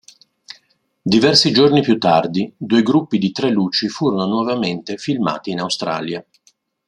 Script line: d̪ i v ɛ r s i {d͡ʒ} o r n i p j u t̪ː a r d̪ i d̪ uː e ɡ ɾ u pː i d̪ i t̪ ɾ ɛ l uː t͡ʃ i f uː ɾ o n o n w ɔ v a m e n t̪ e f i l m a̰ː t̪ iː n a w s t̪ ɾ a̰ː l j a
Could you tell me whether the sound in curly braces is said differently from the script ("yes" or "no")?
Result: no